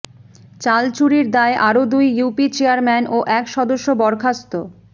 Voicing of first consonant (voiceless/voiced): voiceless